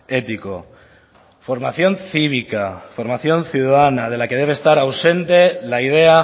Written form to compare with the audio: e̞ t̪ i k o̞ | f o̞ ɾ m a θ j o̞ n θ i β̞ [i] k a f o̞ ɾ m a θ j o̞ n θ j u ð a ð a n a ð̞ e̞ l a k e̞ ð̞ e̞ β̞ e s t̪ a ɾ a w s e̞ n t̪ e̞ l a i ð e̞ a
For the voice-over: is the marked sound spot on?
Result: yes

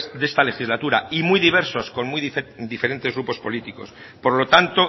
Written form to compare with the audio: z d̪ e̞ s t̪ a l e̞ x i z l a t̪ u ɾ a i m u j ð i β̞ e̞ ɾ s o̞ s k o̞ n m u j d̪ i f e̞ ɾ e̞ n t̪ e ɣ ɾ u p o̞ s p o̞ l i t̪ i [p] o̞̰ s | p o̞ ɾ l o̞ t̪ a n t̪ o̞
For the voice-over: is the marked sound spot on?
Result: no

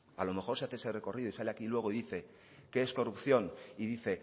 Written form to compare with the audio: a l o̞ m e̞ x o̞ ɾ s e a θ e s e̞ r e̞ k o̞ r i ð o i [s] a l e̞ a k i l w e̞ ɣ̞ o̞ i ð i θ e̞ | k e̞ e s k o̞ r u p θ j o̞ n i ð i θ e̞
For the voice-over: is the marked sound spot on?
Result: yes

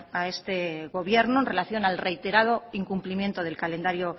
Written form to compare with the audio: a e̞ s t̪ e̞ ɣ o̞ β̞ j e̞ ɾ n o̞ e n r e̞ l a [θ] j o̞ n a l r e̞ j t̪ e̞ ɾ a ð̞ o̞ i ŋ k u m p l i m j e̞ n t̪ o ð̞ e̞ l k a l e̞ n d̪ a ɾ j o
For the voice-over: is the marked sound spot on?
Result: yes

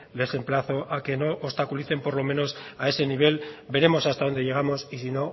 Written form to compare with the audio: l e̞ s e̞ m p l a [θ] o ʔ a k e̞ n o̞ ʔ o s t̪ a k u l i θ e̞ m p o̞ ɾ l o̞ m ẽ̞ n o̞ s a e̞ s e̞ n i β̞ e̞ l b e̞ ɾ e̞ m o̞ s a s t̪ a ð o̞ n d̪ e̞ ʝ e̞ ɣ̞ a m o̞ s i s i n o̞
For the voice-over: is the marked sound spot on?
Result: yes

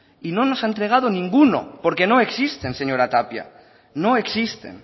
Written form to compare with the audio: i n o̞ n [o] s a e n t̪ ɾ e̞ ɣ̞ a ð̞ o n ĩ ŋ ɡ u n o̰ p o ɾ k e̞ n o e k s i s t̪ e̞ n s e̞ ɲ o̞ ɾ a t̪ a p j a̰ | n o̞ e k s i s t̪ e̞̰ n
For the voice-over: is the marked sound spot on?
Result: yes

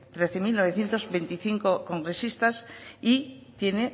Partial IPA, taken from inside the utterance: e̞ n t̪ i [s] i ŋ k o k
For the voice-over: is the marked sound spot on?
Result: no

